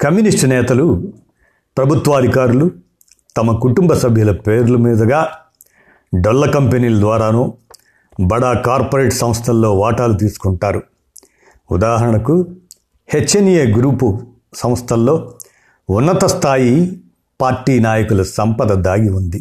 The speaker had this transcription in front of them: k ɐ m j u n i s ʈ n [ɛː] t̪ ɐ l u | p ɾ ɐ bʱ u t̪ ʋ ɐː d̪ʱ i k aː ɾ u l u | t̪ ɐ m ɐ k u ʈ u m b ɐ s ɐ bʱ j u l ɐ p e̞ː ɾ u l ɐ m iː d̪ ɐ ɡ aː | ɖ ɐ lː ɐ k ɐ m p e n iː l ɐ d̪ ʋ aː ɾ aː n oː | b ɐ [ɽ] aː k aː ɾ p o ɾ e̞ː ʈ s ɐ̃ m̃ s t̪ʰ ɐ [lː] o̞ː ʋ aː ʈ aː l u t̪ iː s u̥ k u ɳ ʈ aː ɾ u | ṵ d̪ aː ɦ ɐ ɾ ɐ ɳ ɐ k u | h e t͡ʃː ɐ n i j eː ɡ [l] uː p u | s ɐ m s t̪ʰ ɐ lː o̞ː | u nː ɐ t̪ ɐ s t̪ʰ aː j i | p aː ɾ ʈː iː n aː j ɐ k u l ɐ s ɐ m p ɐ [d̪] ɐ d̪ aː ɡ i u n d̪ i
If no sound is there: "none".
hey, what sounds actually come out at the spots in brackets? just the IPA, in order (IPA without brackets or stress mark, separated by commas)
ɛː, ɽ, lː, ɾ, d̪